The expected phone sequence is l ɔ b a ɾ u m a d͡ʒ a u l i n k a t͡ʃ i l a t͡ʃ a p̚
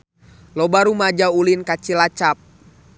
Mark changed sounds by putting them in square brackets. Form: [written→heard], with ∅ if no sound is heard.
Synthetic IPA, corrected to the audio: l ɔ b a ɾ u m a d͡ʒ a u l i n k a t͡ʃ i l a t͡ʃ a p̚